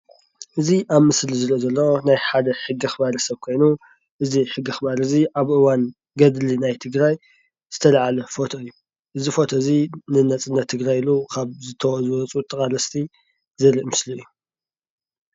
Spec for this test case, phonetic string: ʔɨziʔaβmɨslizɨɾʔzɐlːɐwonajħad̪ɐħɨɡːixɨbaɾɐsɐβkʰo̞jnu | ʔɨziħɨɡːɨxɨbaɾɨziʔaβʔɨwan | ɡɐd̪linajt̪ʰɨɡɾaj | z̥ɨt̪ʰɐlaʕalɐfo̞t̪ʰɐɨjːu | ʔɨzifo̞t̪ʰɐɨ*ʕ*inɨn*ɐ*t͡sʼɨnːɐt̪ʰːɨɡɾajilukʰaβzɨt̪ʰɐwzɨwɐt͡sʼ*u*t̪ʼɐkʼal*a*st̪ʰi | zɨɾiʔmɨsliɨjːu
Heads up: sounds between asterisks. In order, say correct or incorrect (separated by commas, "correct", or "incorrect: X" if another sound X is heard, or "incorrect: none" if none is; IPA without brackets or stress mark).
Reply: incorrect: z, correct, correct, incorrect: ɐ